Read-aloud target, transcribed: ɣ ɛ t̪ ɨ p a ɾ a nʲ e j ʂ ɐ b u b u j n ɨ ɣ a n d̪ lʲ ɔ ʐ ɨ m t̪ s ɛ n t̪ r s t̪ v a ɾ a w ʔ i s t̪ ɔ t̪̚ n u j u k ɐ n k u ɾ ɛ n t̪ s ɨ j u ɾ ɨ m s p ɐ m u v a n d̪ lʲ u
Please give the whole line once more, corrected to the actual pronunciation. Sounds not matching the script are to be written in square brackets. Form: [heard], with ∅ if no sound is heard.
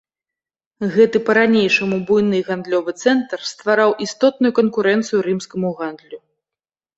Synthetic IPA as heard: ɣ ɛ t̪ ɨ p [ɐ] ɾ a nʲ e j ʂ ɐ [m] u b u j n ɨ ɣ a n d̪ lʲ ɔ [v] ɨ [∅] t̪ s ɛ n t̪ r s t̪ v a ɾ a w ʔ i s t̪ ɔ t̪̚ n u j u k ɐ n k u ɾ ɛ n t̪ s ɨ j u ɾ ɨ m s [k] ɐ m u [ɣ] a n d̪ lʲ u